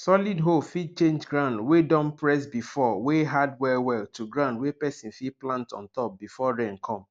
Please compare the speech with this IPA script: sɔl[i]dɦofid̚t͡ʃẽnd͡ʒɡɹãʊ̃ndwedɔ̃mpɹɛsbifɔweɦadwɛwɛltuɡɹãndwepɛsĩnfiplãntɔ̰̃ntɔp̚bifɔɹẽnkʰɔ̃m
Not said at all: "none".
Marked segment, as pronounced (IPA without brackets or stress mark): i